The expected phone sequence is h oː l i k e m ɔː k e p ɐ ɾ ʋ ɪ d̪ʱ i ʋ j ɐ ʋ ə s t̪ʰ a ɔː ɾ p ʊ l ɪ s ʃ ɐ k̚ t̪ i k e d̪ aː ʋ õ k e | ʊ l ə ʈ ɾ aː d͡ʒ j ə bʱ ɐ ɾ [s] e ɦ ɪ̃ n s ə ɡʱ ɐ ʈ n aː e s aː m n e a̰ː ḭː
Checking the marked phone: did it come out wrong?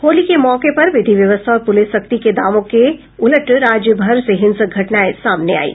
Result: no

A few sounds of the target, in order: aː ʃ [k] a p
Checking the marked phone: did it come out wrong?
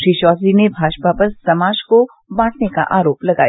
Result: yes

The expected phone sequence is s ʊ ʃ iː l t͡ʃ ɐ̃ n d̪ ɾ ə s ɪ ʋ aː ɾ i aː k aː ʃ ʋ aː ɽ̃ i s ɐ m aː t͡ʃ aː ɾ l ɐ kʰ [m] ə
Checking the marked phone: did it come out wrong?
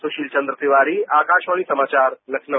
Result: yes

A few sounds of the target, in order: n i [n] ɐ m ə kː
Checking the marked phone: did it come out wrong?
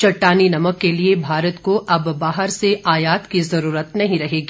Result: no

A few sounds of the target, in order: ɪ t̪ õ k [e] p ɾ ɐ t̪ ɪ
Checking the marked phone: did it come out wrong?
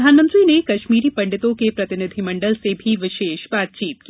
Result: no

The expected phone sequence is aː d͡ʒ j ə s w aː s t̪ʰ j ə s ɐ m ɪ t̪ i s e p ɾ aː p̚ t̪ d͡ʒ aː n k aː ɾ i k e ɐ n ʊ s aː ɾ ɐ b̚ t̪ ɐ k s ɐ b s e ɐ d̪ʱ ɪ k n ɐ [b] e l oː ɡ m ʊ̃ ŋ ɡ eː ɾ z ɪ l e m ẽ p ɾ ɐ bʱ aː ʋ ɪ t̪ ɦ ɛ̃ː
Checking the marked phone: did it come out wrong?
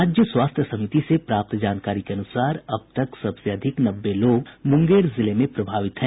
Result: yes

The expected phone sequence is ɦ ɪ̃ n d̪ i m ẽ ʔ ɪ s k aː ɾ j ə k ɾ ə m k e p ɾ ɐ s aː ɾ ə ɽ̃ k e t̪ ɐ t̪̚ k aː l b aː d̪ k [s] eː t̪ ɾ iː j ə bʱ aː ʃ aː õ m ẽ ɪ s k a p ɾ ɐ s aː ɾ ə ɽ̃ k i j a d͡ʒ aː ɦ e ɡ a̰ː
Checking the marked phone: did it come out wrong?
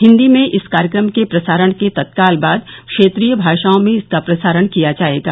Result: yes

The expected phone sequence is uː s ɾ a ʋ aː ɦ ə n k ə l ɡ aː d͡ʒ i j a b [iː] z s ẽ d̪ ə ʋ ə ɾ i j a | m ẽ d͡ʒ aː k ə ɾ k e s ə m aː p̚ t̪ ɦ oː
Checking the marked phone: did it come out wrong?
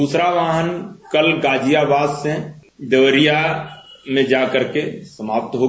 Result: yes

